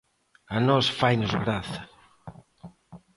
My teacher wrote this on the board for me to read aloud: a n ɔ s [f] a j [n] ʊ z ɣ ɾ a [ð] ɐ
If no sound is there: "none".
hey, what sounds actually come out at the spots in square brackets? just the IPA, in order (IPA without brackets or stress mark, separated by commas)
f, n, θ